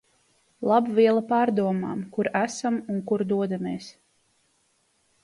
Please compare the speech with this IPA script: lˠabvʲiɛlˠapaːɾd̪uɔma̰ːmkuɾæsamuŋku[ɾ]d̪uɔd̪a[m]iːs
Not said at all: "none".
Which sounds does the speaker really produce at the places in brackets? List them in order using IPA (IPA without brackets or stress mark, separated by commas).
ɾ, m